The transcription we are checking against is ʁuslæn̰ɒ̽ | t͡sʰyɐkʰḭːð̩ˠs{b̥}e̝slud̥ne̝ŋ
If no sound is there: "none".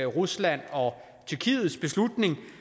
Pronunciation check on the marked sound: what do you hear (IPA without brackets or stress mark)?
b̥